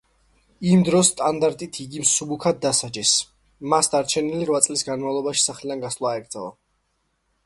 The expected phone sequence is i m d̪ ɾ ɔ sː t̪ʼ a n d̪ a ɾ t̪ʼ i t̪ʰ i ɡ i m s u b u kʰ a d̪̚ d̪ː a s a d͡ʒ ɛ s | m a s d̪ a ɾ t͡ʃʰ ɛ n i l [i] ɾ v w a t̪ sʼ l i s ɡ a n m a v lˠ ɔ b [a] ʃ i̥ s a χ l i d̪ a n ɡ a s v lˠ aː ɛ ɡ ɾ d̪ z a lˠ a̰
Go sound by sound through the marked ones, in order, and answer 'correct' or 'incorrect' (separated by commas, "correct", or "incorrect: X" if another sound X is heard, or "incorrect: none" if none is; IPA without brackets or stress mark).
correct, correct